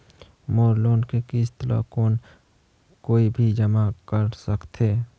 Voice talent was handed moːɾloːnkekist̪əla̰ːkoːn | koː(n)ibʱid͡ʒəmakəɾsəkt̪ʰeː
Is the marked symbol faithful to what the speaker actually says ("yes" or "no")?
no